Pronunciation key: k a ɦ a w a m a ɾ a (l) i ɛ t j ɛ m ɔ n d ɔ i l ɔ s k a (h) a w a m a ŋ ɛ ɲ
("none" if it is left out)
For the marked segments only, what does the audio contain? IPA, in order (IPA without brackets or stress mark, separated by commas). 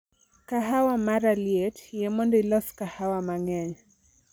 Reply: l, h